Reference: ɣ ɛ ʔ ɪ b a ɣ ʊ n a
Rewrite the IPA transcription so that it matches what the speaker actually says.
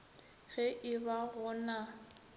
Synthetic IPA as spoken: ɣ ɛ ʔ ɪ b a ɣ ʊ n a